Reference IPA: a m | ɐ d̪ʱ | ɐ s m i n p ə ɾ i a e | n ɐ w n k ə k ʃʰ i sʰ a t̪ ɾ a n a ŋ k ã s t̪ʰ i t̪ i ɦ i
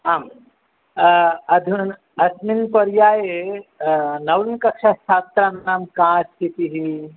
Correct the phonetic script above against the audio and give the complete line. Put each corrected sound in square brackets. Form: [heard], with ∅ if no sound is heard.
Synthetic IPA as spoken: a m | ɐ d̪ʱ | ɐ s m i n p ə ɾ [j] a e | n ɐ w n k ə k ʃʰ [a] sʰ a t̪ ɾ a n a [m] k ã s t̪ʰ i t̪ i ɦ i